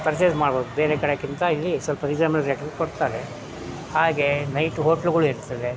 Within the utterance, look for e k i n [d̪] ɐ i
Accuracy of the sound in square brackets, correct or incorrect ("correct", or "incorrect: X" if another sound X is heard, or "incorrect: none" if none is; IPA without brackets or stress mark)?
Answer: incorrect: t̪